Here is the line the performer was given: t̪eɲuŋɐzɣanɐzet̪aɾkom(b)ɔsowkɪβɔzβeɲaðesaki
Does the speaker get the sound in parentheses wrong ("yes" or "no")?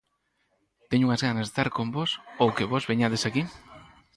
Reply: no